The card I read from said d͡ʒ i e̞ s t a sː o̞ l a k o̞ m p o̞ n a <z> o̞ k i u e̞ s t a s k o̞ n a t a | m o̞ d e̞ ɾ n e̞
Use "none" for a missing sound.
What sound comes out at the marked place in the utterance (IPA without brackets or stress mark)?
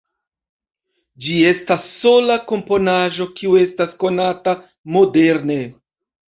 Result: ʒ